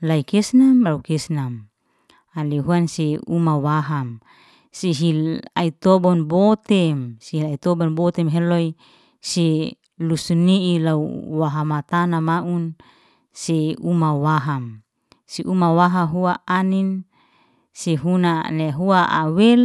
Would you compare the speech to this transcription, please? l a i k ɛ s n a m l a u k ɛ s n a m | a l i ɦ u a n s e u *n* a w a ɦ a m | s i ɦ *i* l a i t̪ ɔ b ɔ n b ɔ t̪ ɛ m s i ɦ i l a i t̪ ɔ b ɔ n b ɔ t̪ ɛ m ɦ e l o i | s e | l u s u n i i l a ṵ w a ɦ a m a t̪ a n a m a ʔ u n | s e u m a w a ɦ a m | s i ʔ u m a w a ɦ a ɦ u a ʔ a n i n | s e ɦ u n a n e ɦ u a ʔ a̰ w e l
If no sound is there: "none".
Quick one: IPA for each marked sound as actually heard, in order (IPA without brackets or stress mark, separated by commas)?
m, i